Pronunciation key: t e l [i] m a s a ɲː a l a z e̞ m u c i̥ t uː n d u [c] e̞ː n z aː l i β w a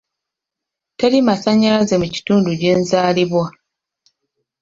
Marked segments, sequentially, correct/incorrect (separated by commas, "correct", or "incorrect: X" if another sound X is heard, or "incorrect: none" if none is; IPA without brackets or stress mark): correct, incorrect: ɟ